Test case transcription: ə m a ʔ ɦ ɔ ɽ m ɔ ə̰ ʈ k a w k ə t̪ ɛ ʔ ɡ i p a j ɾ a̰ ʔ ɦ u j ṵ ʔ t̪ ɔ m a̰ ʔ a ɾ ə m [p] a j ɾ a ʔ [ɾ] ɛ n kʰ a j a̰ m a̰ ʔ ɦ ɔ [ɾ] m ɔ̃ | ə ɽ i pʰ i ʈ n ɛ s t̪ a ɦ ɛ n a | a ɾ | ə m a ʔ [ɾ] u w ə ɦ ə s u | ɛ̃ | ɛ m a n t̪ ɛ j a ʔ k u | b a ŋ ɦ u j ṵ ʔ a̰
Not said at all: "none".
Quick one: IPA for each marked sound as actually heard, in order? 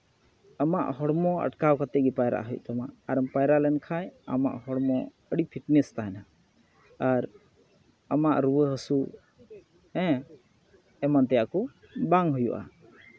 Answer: p, l, ɽ, ɾ

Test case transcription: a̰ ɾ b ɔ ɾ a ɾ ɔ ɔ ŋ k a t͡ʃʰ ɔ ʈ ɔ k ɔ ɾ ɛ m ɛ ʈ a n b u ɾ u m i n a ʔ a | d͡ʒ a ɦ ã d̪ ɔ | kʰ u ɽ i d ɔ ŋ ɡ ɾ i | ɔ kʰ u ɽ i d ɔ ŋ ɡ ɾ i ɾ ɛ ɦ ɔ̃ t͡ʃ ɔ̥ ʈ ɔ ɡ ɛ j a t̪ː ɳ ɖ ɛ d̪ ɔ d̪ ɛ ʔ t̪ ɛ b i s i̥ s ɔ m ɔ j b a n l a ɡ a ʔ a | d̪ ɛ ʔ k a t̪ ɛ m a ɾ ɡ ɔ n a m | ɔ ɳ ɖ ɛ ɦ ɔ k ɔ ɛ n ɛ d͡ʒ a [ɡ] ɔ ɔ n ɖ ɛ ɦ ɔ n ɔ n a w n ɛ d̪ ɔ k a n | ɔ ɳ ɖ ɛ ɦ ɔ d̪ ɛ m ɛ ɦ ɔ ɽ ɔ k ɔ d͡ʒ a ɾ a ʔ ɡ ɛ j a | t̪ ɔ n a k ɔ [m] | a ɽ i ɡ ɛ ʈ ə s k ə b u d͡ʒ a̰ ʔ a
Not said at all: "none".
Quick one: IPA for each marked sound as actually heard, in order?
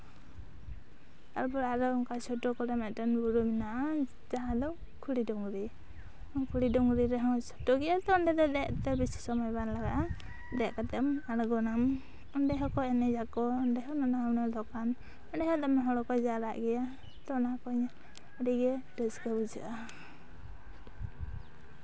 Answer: k, ɲ

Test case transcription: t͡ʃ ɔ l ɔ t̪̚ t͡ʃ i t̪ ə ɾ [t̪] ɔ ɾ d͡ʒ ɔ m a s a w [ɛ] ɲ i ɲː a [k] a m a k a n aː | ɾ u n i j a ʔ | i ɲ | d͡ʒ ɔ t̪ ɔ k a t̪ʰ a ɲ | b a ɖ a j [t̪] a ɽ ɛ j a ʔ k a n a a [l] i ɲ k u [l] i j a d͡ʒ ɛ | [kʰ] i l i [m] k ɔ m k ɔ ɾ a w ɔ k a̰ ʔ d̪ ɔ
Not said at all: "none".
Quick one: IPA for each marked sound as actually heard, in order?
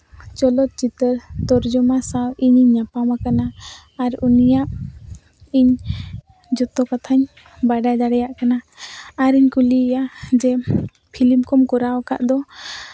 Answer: t̪, i, p, d̪, ɾ, l, pʰ, m

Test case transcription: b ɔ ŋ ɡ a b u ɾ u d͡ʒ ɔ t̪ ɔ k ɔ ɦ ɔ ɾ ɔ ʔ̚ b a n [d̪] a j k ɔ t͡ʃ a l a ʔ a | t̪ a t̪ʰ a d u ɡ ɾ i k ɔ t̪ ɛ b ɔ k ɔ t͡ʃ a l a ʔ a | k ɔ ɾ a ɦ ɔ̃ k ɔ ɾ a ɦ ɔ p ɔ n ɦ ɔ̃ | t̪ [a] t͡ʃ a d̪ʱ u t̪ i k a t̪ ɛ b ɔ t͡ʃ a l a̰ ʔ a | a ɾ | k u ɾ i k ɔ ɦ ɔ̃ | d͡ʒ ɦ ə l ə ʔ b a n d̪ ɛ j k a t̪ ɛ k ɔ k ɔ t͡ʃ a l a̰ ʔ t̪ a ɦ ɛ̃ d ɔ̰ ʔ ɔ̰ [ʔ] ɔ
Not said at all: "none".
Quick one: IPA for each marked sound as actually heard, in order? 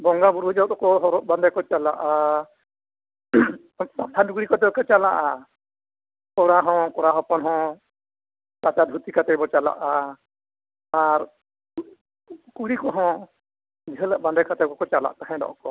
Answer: d̪, a, k

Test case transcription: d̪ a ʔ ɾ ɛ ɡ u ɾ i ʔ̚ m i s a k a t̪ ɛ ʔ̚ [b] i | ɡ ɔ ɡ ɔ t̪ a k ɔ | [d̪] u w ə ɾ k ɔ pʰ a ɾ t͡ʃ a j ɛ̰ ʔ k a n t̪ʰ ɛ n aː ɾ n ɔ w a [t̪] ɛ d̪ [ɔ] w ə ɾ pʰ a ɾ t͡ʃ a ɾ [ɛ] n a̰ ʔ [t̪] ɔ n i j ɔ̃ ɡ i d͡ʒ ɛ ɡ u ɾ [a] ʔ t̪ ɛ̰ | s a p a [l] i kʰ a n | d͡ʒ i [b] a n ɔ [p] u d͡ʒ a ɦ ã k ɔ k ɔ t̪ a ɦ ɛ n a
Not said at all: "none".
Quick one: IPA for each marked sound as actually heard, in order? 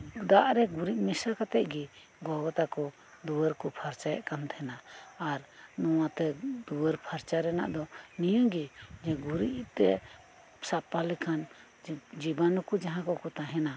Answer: ɡ, d̪, t̪, u, ɛ, d̪, i, l, b, k

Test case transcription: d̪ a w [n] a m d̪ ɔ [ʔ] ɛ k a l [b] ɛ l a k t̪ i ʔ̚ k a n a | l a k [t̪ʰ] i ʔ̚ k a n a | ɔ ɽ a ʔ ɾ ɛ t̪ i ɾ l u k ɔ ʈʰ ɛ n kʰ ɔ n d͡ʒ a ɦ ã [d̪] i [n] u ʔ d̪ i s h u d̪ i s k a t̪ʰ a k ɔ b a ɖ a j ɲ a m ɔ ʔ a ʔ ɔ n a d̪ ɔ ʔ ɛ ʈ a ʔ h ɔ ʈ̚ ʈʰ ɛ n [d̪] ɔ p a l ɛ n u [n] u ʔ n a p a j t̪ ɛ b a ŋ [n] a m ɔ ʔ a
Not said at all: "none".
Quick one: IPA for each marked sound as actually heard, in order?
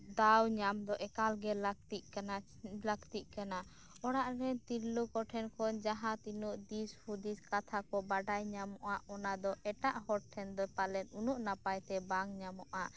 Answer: ɲ, ʔ, ɡ, t̪, t̪, n, d̪, n, ɲ

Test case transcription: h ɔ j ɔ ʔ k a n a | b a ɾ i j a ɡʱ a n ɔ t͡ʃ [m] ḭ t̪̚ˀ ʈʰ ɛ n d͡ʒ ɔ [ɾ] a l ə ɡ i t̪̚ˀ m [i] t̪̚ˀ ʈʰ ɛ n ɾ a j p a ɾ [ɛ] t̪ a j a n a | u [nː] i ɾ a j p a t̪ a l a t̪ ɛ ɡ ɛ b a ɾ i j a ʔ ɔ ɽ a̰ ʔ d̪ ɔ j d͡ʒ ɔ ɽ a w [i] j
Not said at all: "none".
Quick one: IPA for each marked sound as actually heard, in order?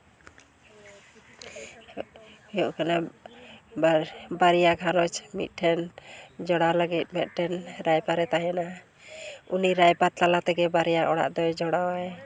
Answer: m, ɽ, ɛ, ɛ, n, a

